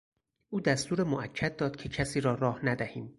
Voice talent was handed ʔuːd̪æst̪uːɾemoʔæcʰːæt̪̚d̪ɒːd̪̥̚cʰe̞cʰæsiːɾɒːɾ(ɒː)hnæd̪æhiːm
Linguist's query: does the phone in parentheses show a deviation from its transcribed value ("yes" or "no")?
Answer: no